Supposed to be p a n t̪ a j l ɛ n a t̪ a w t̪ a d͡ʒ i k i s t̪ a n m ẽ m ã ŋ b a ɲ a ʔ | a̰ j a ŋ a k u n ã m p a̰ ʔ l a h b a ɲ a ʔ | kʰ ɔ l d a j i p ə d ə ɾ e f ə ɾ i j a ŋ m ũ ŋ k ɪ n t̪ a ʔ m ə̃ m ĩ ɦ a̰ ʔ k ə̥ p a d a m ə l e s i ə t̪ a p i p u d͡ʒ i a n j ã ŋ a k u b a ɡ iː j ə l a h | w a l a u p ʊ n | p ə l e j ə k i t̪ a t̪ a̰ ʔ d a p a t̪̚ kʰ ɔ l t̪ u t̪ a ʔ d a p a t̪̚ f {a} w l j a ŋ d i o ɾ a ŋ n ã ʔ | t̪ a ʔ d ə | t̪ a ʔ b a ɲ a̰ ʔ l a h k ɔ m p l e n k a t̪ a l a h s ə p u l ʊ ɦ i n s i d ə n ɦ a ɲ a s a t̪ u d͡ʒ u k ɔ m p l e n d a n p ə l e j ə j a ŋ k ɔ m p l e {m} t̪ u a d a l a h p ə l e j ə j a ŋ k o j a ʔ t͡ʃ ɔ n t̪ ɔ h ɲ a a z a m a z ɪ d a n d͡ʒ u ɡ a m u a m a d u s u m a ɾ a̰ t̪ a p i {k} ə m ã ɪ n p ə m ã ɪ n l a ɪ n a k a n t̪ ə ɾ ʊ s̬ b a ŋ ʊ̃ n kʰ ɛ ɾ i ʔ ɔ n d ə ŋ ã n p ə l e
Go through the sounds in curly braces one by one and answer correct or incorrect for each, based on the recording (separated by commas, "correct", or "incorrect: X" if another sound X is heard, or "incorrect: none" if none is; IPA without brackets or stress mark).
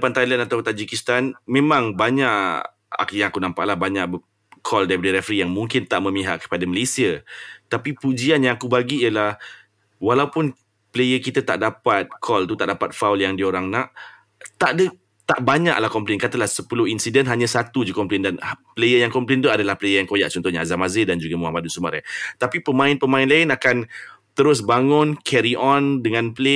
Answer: correct, incorrect: n, incorrect: p